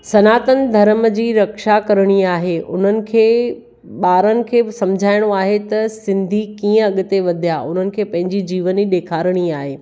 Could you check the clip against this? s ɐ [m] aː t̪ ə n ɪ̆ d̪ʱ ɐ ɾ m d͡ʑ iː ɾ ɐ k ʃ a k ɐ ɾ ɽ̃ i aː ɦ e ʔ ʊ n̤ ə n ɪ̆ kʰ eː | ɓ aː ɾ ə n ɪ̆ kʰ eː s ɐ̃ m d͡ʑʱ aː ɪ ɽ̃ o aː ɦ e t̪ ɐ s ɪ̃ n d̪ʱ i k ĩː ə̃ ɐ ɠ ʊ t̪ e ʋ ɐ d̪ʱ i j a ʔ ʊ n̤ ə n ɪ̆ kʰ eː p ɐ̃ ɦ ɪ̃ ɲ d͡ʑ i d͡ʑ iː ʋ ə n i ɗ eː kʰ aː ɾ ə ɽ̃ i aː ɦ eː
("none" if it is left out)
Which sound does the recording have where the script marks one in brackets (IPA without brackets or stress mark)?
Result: n